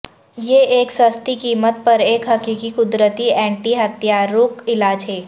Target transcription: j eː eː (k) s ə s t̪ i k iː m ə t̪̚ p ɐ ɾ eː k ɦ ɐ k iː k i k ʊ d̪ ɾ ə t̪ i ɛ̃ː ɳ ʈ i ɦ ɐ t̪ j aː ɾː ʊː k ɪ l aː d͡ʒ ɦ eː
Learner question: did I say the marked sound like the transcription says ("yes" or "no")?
yes